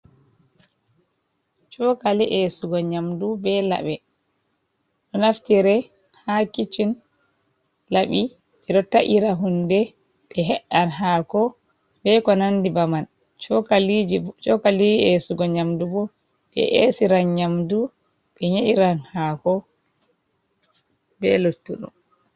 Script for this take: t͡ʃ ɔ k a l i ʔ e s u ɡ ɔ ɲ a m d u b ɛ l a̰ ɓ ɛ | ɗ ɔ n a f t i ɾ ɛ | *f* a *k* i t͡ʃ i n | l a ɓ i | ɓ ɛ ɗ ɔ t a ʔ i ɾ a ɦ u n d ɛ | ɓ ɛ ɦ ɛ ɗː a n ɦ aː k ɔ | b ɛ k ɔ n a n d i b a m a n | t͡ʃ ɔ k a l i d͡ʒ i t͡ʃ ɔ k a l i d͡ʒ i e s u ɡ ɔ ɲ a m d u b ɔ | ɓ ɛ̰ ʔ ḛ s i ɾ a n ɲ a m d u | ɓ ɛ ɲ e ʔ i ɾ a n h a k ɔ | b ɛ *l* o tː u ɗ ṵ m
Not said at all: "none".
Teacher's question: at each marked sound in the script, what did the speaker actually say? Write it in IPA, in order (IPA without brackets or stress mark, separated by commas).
h, k, l